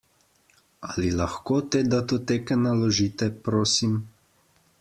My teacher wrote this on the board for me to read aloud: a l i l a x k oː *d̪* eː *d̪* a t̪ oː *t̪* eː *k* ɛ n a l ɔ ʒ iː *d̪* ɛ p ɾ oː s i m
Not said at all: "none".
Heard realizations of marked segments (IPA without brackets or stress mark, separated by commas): t̪, d̪, t̪, k, t̪